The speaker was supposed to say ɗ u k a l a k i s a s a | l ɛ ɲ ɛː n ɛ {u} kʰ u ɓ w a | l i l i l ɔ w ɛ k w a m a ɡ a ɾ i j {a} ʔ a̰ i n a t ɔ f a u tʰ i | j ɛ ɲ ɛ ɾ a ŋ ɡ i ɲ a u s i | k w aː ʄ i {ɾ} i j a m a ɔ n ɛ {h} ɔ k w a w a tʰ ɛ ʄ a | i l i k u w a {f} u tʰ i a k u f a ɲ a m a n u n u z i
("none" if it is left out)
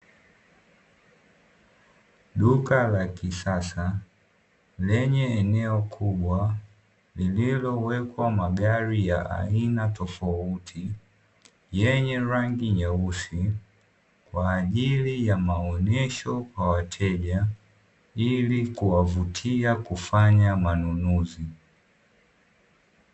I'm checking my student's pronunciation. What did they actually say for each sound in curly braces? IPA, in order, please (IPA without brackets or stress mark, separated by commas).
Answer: ɔ, a, l, ʃ, v